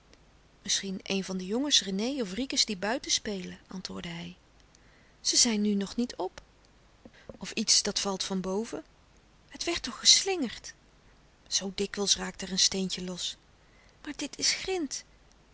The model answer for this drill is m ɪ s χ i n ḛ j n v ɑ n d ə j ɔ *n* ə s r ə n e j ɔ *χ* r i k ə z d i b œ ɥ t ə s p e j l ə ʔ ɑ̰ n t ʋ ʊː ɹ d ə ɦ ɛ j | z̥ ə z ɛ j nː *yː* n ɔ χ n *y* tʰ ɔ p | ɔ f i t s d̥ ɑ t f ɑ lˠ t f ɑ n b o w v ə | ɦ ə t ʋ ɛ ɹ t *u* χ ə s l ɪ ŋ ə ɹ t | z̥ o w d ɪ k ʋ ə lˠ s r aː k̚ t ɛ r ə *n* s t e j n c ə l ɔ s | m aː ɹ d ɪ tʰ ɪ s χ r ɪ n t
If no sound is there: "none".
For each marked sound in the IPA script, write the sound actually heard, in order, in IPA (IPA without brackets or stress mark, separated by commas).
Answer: ŋ, f, y, i, ɔ, n